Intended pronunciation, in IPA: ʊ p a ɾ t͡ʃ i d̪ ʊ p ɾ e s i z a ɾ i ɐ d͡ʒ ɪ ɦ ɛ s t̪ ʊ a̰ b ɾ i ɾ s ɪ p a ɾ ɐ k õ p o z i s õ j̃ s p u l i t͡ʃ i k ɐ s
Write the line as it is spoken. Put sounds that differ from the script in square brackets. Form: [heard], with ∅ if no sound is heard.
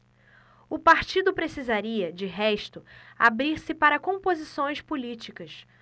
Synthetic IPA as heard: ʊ p a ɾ t͡ʃ i d̪ ʊ p ɾ e s i z a ɾ i ɐ d͡ʒ ɪ ɦ ɛ [ʃ] t̪ ʊ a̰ b ɾ i ɾ s ɪ p a ɾ ɐ k õ p o z i s õ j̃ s p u l i t͡ʃ i k ɐ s